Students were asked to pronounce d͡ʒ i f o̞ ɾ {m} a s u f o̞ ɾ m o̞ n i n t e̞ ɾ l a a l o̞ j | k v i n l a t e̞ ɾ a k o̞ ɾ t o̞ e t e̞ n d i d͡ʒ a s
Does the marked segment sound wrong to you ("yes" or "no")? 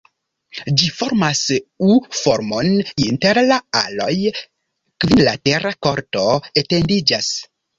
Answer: no